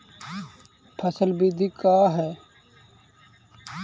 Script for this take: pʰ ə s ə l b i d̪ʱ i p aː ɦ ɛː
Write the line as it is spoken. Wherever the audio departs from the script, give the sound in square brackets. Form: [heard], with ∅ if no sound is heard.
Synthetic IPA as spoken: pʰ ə s ə l b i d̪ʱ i [k] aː ɦ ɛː